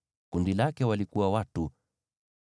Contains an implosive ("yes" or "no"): no